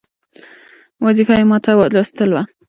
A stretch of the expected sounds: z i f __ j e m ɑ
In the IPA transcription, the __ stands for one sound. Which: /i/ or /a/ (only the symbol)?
a